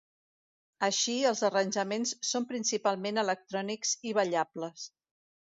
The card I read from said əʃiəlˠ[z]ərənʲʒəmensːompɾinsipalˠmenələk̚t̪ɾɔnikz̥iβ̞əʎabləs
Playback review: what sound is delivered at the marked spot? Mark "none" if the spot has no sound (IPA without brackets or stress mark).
z